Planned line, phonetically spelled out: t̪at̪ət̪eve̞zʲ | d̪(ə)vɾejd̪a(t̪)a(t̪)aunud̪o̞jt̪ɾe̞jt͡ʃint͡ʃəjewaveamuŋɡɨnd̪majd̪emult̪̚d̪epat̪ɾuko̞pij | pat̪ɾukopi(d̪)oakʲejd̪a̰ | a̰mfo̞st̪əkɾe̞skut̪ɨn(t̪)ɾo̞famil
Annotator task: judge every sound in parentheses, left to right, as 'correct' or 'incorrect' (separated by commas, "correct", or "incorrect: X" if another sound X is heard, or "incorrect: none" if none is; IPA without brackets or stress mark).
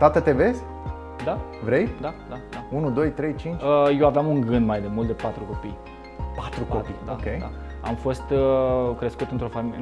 incorrect: a, incorrect: d̪, incorrect: d̪, correct, correct